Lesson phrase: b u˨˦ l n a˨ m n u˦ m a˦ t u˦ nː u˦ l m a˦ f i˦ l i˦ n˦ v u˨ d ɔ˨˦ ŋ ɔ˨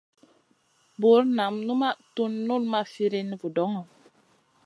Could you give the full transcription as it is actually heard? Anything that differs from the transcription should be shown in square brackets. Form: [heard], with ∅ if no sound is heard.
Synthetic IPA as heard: b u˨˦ [ɾ] n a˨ m n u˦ m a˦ t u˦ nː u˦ l m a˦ f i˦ [ɾ] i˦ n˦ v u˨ d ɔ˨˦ ŋ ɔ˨